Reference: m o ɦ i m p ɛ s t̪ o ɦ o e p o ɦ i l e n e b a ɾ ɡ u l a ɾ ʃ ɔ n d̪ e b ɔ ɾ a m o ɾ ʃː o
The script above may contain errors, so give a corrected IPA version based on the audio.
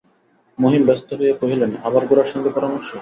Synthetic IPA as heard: m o ɦ i m b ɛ s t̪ o ɦ o e p o ɦ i l e n a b a ɾ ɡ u ɾ a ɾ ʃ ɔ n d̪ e p ɔ ɾ a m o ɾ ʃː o